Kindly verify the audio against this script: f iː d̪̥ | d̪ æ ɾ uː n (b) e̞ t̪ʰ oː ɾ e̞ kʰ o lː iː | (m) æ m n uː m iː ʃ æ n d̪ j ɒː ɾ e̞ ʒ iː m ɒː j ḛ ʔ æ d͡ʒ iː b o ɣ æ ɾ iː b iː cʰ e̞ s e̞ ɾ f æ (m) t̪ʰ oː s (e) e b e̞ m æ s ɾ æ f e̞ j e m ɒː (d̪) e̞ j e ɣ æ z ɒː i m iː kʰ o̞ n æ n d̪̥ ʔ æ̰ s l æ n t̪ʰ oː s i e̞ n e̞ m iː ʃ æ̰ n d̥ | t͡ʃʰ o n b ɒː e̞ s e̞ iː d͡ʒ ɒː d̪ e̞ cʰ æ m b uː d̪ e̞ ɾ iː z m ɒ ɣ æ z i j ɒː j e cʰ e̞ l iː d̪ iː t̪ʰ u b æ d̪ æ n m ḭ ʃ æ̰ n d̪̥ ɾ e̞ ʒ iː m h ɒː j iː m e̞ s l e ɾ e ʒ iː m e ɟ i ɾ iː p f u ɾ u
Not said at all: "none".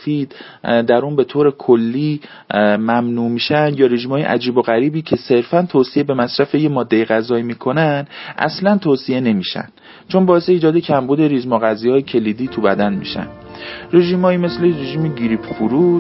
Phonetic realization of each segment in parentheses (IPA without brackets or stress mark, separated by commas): b, m, n, i, d̪ː